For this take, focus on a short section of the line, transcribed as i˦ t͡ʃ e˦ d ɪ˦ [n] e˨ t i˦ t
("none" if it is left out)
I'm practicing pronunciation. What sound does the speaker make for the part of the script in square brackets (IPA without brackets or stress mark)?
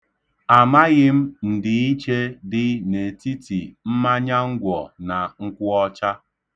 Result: n